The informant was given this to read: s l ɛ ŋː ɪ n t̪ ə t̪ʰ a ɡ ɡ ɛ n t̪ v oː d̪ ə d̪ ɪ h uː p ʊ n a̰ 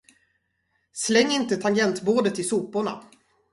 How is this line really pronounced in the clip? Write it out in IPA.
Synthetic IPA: s l ɛ ŋː ɪ n t̪ ə t̪ʰ a ŋ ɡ ɛ n t̪ b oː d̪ ə t̪ ɪ s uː p ʊ ɳ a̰